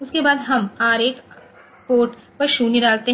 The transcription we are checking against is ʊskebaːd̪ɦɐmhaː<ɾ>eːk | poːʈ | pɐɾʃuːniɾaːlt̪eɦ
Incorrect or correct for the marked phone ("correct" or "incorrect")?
correct